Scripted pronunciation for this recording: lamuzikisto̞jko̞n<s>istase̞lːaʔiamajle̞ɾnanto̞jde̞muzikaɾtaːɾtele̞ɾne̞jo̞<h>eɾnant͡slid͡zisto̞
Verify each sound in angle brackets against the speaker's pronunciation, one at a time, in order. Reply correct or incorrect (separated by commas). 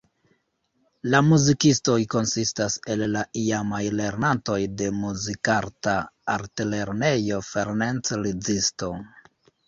correct, incorrect